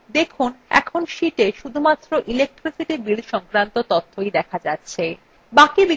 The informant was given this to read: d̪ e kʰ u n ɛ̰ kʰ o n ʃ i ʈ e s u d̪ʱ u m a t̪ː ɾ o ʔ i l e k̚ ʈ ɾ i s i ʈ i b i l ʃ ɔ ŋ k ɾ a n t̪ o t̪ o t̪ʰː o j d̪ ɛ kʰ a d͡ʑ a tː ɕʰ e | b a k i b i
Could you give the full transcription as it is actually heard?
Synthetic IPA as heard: d̪ e kʰ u n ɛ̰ kʰ o n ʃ i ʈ e ʃ u d̪ʱ u m a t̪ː ɾ o ʔ i l e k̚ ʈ ɾ i s i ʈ i b i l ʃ ɔ ŋ k ɾ a n t̪ o t̪ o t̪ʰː o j d̪ ɛ kʰ a d͡ʑ a tː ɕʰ e | b a k i b i